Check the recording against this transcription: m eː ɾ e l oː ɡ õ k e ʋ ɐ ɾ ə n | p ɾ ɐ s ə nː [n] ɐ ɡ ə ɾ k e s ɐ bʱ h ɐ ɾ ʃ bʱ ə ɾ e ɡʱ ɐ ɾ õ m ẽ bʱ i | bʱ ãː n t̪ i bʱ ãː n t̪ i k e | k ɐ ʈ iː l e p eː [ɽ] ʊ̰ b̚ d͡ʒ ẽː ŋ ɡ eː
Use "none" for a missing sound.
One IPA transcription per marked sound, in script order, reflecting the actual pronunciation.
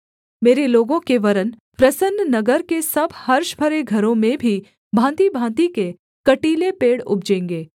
n, ɽ

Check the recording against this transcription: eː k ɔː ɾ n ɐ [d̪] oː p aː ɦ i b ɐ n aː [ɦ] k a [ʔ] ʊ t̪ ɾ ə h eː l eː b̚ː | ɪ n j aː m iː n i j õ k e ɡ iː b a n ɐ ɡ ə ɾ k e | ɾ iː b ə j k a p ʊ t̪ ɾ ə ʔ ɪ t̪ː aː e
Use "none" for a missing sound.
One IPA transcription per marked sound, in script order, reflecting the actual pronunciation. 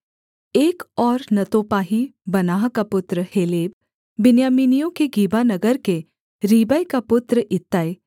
t̪, ɦ, p

